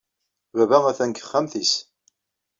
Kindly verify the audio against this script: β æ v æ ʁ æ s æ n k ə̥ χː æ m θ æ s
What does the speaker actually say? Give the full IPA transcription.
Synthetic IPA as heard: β æ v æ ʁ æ θ æ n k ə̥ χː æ m θ i s